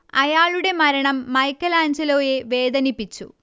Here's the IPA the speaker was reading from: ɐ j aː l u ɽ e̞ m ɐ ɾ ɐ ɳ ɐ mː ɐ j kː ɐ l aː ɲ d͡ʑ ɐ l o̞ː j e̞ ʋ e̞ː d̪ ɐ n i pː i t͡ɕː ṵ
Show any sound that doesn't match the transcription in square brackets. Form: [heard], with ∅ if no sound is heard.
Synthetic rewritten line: ɐ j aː [ɭ] u ɽ e̞ m ɐ ɾ ɐ ɳ ɐ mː ɐ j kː ɐ l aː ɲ d͡ʑ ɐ l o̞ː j e̞ ʋ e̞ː d̪ ɐ n i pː i t͡ɕː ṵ